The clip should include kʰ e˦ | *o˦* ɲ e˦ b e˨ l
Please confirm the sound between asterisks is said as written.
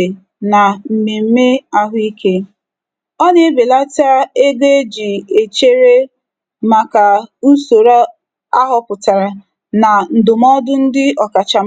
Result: no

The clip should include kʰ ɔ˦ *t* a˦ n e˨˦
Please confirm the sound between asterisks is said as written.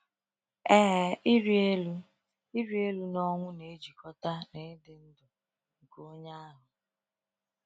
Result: yes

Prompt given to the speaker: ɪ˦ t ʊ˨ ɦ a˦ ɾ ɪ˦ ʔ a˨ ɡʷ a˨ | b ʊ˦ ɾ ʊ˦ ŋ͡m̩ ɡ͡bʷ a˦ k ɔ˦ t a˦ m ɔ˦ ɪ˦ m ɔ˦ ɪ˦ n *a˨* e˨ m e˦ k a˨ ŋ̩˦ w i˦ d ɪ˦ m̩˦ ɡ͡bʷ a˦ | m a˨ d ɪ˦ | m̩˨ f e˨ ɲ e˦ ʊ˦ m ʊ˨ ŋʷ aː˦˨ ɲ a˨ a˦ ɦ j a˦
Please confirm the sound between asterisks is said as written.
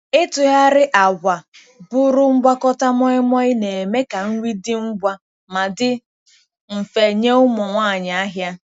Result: no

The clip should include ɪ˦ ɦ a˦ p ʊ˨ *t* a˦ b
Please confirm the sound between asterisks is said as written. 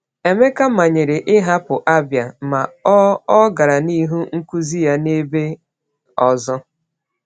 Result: no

